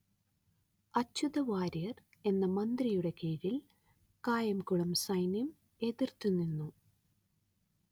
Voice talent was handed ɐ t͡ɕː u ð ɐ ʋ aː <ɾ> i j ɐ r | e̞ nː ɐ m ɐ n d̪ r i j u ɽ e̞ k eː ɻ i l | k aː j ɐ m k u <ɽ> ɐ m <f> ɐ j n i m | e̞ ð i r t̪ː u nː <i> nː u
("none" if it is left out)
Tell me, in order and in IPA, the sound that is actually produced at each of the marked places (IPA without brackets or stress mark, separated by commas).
ɾ, ɭ, s, i